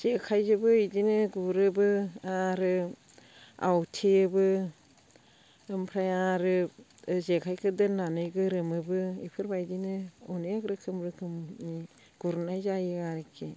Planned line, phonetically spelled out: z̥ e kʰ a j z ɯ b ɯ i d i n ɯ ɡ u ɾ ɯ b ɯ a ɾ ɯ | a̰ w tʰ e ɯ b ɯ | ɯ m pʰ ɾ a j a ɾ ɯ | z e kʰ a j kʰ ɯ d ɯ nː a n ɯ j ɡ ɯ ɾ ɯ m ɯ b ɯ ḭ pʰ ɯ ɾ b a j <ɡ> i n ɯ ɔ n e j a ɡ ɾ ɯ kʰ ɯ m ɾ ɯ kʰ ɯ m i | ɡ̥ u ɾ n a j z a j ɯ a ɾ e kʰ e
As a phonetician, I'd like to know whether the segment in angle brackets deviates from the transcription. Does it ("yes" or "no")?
yes